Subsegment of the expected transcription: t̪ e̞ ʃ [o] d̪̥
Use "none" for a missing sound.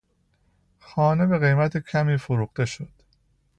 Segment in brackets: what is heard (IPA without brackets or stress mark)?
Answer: o